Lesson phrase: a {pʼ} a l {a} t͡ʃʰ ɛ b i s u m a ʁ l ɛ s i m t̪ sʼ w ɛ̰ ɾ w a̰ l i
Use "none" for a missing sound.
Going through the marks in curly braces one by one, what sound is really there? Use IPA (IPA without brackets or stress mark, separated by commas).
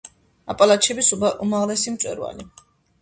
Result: pʼ, a